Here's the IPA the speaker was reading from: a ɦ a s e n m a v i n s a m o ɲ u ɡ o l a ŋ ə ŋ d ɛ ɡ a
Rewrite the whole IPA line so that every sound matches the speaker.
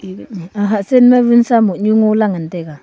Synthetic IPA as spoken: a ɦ a s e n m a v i n s a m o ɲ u ŋ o l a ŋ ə n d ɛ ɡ a